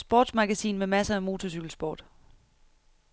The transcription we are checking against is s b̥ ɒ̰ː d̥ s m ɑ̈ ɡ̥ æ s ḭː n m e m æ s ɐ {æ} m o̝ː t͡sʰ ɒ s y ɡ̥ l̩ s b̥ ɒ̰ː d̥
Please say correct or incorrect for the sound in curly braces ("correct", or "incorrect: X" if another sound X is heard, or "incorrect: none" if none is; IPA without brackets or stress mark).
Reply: correct